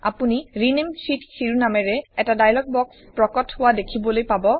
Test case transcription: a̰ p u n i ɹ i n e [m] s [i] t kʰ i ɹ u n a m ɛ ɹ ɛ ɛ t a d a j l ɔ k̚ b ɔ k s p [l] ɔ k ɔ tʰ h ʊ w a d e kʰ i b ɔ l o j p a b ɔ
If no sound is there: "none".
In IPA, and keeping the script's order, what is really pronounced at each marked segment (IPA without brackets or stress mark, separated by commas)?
m, i, ɹ